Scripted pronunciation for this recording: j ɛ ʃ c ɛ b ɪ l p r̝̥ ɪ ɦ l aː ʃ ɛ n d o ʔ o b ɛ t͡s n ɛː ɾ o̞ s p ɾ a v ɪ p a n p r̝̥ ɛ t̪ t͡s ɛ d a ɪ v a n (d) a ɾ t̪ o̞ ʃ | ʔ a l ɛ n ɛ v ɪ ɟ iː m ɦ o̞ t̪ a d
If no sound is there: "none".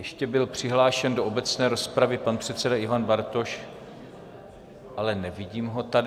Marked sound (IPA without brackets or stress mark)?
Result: b